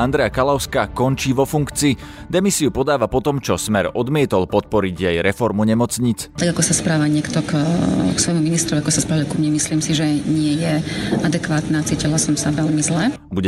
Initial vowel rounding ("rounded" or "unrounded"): unrounded